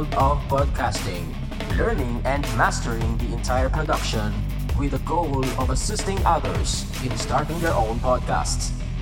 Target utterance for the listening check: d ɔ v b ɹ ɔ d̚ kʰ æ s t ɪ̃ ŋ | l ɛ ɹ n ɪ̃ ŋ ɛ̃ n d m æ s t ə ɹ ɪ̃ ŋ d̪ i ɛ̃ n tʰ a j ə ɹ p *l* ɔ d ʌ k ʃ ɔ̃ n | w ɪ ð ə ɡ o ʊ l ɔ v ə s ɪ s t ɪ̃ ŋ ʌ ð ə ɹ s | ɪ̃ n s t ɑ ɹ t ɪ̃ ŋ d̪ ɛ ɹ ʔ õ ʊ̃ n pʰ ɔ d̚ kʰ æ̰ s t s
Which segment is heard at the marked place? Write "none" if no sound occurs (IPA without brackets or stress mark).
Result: ɹ